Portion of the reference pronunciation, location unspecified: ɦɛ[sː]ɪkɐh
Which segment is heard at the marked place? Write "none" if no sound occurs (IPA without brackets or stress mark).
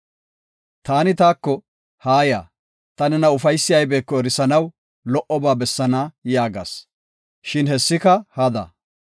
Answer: sː